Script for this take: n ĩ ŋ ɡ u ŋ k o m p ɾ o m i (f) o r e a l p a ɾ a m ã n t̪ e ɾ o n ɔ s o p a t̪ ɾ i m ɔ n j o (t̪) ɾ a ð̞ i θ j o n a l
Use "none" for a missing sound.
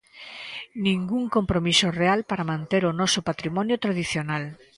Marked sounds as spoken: s, t̪

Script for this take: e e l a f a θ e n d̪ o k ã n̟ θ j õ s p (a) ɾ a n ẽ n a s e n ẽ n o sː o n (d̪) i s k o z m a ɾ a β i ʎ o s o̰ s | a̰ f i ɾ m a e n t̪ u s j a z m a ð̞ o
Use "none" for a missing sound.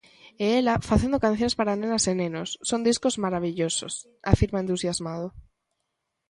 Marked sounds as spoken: a, d̪

